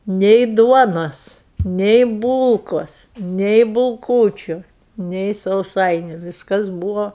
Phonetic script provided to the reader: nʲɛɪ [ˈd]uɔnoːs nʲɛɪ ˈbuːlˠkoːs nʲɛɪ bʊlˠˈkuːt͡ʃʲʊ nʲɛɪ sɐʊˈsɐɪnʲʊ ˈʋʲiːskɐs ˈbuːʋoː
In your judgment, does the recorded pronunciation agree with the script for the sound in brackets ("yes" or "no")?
yes